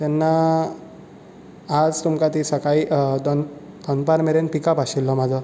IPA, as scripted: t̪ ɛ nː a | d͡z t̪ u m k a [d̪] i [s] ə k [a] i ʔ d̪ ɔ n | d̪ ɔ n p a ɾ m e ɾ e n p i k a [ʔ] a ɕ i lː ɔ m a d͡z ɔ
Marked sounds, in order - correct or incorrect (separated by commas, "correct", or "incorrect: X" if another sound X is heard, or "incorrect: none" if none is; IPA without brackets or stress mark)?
incorrect: t̪, correct, correct, incorrect: p